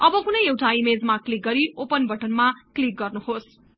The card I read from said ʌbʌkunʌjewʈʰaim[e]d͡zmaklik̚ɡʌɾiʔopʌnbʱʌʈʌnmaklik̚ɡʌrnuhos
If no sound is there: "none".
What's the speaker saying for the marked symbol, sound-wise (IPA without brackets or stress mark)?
e